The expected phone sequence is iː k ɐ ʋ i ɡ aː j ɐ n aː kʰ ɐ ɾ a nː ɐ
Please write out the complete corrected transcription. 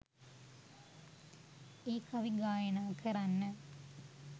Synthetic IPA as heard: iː k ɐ ʋ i ɡ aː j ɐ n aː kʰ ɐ ɾ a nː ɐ